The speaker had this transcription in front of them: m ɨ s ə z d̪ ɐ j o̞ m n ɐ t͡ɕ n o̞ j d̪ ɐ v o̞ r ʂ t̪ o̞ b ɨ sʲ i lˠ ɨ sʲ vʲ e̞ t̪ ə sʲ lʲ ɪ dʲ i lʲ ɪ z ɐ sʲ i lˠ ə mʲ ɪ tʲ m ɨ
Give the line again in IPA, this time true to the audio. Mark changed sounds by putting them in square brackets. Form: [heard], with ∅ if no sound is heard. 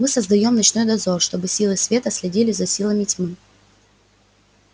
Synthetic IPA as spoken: m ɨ s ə z d̪ ɐ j o̞ m n ɐ t͡ɕ n o̞ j d̪ ɐ [z] o̞ r ʂ t̪ o̞ b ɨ sʲ i lˠ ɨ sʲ vʲ e̞ t̪ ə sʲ lʲ ɪ dʲ i lʲ ɪ z ɐ sʲ i lˠ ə mʲ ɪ tʲ m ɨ